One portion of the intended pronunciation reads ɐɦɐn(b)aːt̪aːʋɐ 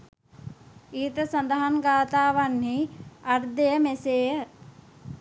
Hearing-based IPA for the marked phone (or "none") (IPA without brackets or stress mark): ɡ